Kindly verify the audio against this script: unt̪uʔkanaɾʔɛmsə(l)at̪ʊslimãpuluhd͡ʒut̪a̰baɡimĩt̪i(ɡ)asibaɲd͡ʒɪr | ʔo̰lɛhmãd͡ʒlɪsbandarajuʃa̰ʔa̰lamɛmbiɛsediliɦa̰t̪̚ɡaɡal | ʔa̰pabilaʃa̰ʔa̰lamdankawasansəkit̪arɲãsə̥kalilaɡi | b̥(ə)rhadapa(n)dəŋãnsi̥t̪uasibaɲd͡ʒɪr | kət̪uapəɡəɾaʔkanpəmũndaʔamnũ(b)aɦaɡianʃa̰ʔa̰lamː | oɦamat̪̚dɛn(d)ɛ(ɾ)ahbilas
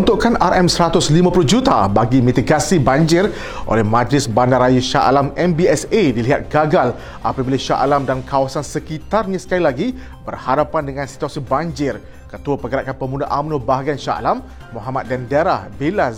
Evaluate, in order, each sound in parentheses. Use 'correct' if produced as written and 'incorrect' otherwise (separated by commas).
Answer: incorrect, correct, correct, correct, correct, correct, correct